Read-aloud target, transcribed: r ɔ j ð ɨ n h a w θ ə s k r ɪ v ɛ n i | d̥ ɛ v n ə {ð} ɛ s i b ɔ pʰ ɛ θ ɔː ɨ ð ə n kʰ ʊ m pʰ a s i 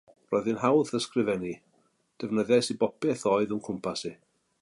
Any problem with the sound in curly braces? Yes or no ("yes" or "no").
no